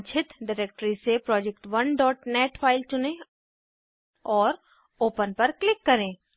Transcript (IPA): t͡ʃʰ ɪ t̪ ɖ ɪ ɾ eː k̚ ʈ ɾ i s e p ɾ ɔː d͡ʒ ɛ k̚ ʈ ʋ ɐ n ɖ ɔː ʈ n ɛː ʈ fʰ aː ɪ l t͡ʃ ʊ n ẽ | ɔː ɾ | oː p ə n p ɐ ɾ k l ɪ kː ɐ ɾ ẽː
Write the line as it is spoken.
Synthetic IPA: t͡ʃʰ ɪ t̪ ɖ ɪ ɾ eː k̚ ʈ ɾ i s e p ɾ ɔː d͡ʒ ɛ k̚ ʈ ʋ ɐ n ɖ ɔː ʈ n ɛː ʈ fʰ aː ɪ l t͡ʃ ʊ n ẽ | ɔː ɾ | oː p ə n p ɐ ɾ k l ɪ kː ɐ ɾ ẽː

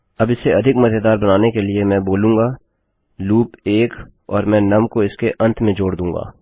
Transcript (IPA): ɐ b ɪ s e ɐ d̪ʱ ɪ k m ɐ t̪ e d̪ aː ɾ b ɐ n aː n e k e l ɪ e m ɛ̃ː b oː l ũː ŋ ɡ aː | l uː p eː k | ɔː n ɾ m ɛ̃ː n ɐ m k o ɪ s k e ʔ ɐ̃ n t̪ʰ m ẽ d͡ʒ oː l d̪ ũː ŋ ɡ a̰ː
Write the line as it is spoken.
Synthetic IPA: ɐ b ɪ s e ɐ d̪ʱ ɪ k m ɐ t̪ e d̪ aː ɾ b ɐ n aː n e k e l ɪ e m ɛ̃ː b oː l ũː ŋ ɡ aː | l uː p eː k | ɔː ɾ m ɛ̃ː n ɐ m k o ɪ s k e ʔ ɐ̃ n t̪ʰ m ẽ d͡ʒ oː ɽ d̪ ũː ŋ ɡ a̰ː

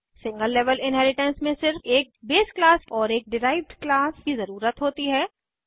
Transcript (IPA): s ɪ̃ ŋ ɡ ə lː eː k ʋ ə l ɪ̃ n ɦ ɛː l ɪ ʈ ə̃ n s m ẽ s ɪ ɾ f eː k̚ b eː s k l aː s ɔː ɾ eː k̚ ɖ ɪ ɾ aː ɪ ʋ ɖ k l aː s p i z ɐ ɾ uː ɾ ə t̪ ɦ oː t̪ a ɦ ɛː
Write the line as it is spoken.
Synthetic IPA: s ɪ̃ ŋ ɡ ə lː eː ʋ ə l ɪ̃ n ɦ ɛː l ɪ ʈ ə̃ n s m ẽ s ɪ ɾ f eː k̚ b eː s k l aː s ɔː ɾ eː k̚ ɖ ɪ ɾ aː ɪ ʋ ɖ k l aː s k i z ɐ ɾ uː ɾ ə t̪ ɦ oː t̪ i ɦ ɛː

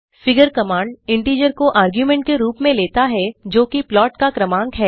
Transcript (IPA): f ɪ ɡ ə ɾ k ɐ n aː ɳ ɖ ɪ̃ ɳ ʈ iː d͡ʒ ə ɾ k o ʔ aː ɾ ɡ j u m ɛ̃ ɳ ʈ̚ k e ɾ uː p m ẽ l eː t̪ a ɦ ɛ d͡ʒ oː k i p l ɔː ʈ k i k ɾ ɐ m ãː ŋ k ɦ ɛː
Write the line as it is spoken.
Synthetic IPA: f ɪ ɡ ə ɾ k ɐ m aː ɳ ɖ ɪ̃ ɳ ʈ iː d͡ʒ ə ɾ k o ʔ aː ɾ ɡ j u m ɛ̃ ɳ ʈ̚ k e ɾ uː p m ẽ l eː t̪ a ɦ ɛ d͡ʒ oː k i p l ɔː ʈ k a k ɾ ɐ m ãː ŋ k ɦ ɛː

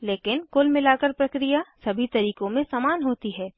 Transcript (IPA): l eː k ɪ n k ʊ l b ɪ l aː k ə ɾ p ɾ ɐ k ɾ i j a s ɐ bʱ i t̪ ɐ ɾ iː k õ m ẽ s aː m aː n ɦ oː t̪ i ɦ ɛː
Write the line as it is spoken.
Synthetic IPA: l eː k ɪ n k ʊ l m ɪ l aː k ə ɾ p ɾ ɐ k ɾ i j a s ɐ bʱ i t̪ ɐ ɾ iː k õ m ẽ s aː m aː n ɦ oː t̪ i ɦ ɛː

